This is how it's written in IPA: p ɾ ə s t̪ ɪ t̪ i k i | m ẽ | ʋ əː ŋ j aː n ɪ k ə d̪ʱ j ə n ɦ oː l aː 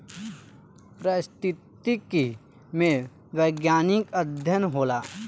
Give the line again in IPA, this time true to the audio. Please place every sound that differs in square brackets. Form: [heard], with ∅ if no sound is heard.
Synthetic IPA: p ɾ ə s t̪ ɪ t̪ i k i | m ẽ | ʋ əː [ɡ] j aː n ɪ k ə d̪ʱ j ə n ɦ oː l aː

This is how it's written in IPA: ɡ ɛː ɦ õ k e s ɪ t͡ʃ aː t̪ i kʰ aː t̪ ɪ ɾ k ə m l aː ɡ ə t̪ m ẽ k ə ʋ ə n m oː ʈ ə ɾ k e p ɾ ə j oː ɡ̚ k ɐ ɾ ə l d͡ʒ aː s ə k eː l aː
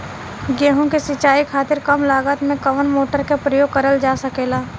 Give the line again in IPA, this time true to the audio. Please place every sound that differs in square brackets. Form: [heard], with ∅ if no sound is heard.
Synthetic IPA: ɡ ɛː ɦ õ k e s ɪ t͡ʃ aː [∅] i kʰ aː t̪ ɪ ɾ k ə m l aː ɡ ə t̪ m ẽ k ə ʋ ə n m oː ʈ ə ɾ k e p ɾ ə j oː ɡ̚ k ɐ ɾ ə l d͡ʒ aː s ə k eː l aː

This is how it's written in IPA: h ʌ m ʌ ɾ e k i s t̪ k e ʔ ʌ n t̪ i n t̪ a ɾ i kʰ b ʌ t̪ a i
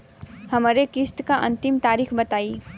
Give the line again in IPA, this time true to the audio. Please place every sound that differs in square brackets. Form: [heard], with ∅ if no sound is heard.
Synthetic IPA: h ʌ m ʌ ɾ e k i s t̪ k [a] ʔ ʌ n t̪ i [m] t̪ a ɾ i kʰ b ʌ t̪ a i

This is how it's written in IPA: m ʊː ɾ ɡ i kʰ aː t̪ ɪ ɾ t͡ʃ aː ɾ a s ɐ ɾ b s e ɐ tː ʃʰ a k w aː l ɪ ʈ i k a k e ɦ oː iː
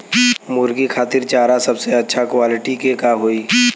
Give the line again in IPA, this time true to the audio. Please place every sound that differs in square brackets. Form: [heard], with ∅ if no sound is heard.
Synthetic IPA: m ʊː ɾ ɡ i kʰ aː t̪ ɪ ɾ t͡ʃ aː ɾ a s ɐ [∅] b s e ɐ tː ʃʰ a k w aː l ɪ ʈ i k [e] k [a] ɦ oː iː

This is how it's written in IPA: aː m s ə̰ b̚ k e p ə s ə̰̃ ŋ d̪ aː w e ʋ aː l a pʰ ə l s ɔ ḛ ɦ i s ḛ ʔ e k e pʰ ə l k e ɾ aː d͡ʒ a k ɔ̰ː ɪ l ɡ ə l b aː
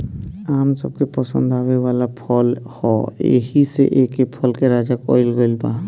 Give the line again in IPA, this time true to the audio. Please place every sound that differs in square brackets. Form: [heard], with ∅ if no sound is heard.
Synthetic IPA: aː m s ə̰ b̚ k e p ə s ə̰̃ [n] d̪ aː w e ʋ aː l a pʰ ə l [h] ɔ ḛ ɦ i s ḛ ʔ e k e pʰ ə l k e ɾ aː d͡ʒ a k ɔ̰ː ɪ l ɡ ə l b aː

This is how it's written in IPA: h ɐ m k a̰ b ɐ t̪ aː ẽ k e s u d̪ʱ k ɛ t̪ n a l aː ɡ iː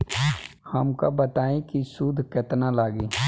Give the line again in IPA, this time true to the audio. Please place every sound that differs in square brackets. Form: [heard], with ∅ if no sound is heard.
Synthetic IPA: h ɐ m k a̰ b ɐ t̪ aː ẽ k [i] s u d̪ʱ k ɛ t̪ n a l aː ɡ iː

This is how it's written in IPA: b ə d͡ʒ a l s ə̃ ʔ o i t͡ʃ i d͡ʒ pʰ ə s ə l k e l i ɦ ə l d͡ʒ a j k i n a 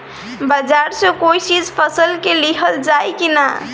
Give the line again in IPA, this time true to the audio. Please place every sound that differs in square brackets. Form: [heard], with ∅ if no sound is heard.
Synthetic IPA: b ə d͡ʒ a [ɾ] s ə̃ [k] o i t͡ʃ i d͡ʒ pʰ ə s ə l k e l i ɦ ə l d͡ʒ a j k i n a

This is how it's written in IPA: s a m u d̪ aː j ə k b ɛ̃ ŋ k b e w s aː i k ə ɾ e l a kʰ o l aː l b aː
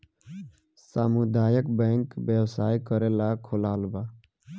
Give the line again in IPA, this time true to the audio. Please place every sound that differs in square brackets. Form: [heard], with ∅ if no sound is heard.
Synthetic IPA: s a m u d̪ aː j ə k b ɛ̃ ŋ k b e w s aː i k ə ɾ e l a kʰ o l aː l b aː

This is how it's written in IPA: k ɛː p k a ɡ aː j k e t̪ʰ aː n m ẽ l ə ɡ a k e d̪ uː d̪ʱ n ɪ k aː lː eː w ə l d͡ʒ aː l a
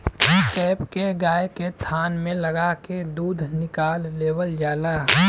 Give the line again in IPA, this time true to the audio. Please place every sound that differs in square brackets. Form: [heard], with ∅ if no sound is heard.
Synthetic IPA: k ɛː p k [e] ɡ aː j k e t̪ʰ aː n m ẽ l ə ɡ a k e d̪ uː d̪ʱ n ɪ k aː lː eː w ə l d͡ʒ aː l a

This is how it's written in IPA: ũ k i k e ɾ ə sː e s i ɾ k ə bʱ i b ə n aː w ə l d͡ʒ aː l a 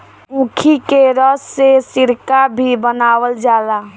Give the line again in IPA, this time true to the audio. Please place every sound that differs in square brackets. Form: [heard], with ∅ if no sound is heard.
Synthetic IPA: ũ [kʰ] i k e ɾ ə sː e s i ɾ k [a] bʱ i b ə n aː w ə l d͡ʒ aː l a

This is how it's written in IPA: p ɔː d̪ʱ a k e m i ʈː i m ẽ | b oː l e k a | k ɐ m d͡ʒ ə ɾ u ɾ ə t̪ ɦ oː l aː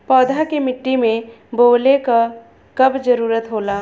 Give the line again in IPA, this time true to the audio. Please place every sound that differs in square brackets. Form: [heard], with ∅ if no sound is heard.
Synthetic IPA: p ɔː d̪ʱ a k e m [ɪ] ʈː i m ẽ | b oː l e k a | k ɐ [b] d͡ʒ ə ɾ [uː] ɾ ə t̪ ɦ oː l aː

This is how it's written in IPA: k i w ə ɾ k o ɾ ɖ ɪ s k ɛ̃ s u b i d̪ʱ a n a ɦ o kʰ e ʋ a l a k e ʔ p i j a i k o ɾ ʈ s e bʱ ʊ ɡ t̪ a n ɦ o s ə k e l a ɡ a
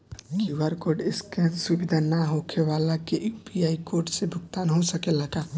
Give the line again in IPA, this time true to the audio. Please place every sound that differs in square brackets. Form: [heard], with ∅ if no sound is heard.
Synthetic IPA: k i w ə ɾ k o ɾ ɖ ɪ s k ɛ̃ s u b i d̪ʱ a n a ɦ o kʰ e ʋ a l a k e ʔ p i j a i k o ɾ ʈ s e bʱ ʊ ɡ t̪ a n ɦ o s ə k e l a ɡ a

